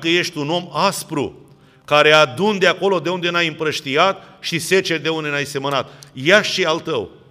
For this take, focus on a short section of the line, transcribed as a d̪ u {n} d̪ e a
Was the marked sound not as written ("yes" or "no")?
no